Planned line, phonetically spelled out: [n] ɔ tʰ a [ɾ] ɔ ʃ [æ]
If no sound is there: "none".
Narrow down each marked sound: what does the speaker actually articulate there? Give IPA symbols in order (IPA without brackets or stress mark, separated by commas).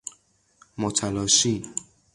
m, l, i